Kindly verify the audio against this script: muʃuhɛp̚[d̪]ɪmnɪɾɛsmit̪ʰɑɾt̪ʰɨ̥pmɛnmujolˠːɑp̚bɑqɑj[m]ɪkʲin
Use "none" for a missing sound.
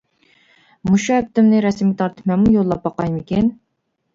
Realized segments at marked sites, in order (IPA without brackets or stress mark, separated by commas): t̪, m